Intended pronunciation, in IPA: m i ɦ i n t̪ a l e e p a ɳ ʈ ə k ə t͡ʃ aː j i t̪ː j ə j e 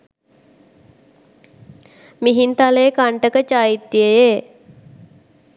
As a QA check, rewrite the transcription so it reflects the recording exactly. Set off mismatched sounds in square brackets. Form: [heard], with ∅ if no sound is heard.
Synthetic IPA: m i ɦ i n t̪ a l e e [k] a ɳ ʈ ə k ə t͡ʃ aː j i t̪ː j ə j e